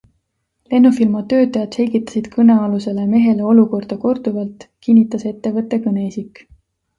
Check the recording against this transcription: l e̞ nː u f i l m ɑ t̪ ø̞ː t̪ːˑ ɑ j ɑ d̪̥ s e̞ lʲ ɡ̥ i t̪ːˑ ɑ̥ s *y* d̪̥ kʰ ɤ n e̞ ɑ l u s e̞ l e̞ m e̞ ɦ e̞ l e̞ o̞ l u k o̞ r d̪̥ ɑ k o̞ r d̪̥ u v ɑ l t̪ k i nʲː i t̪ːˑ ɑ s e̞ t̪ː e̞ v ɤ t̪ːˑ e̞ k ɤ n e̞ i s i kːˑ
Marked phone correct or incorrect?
incorrect: i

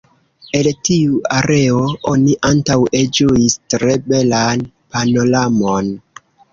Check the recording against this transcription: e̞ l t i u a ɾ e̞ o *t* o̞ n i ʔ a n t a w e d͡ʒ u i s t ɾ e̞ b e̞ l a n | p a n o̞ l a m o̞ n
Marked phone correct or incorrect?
incorrect: none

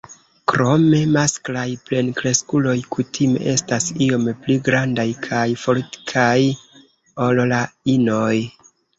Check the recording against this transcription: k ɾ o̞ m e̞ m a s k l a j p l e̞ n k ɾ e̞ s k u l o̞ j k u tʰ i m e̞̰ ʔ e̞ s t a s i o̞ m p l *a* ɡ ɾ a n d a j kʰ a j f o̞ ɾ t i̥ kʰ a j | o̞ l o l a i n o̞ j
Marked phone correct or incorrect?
incorrect: i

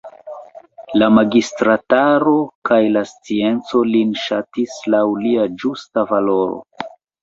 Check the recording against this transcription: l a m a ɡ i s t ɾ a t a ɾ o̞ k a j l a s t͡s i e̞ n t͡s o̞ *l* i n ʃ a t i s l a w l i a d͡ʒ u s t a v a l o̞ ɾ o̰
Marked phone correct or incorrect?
correct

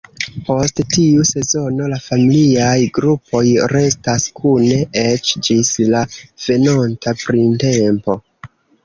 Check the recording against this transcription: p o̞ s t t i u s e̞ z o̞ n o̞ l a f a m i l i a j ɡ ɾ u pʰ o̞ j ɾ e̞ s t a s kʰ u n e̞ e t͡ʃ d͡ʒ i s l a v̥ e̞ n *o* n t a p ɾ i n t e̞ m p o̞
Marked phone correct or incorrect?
correct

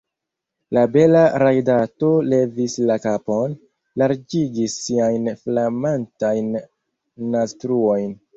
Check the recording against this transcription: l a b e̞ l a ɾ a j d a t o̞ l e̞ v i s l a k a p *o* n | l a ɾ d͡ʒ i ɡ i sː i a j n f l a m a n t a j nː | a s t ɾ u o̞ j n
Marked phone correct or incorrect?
correct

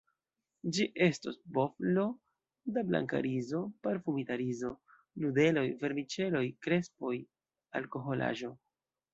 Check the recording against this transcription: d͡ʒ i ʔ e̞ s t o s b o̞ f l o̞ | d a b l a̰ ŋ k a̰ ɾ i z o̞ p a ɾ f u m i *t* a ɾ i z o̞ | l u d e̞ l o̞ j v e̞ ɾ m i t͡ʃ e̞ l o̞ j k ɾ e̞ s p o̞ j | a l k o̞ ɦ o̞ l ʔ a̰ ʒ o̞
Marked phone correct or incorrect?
correct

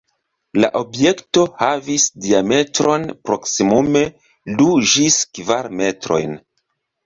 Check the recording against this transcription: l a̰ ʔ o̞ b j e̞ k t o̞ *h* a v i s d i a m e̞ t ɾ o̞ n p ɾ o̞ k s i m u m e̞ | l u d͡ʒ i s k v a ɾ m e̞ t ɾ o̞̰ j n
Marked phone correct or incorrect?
correct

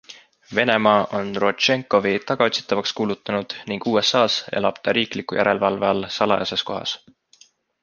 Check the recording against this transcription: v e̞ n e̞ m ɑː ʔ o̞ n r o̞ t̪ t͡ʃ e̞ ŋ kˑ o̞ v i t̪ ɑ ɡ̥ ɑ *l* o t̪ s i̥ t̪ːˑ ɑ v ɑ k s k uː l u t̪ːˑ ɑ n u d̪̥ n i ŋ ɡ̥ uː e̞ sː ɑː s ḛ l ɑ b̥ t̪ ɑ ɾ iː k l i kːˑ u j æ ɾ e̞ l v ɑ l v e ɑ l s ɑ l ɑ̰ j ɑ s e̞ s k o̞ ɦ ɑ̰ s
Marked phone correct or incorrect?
incorrect: none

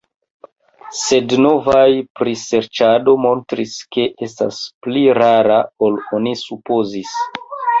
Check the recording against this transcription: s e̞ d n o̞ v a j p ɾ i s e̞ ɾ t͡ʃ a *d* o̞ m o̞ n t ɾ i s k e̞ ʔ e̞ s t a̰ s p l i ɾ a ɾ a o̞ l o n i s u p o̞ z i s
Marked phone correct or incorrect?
correct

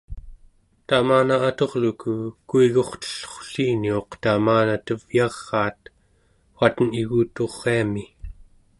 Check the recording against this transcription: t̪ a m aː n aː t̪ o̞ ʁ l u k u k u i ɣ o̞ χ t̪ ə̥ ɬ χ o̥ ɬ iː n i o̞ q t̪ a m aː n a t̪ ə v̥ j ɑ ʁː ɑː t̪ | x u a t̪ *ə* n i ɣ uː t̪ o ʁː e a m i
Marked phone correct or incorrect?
correct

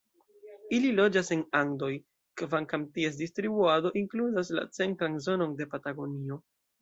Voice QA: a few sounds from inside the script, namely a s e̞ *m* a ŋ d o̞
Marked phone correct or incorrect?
incorrect: n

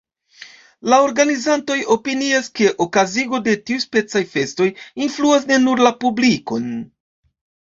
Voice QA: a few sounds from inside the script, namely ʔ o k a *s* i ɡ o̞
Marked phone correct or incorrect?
incorrect: z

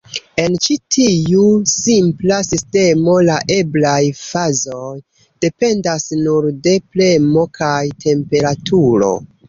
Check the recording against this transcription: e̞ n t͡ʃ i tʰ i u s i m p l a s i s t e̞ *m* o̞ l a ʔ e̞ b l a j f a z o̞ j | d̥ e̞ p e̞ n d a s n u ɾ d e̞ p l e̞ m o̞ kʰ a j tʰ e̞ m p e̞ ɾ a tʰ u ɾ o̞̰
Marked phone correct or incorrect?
correct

